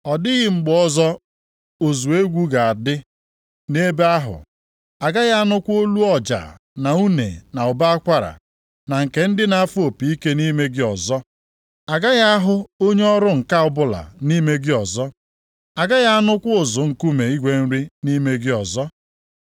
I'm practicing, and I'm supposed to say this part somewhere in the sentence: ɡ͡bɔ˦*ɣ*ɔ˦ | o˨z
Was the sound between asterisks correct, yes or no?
no